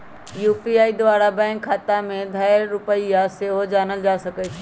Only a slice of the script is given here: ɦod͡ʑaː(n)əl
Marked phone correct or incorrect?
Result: correct